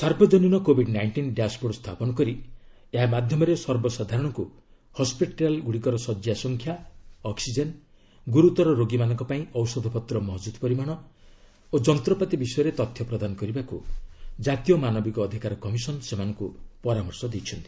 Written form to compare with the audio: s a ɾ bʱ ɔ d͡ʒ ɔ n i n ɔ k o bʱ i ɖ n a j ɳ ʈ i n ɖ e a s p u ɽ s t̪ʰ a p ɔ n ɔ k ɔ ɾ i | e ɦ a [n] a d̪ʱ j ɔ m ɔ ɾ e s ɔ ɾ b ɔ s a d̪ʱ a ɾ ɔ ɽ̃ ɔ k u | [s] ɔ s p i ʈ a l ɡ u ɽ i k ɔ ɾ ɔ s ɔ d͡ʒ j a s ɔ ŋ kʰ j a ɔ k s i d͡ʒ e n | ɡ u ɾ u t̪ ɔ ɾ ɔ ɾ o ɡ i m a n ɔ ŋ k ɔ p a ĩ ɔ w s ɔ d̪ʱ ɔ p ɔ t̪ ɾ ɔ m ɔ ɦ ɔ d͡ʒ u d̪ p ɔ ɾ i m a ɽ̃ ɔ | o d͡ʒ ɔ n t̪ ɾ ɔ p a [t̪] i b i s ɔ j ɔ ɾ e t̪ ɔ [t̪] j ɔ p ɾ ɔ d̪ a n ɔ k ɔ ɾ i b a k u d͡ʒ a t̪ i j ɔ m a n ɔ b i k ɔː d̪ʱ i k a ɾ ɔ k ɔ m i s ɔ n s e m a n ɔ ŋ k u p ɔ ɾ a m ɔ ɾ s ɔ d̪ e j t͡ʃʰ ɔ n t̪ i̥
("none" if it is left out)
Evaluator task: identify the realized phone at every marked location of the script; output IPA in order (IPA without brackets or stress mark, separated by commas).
m, h, t̪, t̪ʰ